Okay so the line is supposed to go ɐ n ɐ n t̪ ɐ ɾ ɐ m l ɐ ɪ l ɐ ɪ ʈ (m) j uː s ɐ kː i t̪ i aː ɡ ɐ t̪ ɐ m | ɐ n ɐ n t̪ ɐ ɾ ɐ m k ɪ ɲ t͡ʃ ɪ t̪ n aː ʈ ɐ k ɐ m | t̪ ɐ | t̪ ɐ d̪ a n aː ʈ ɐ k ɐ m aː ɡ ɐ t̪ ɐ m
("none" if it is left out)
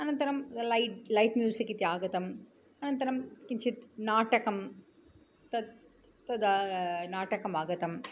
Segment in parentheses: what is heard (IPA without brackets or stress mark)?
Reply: m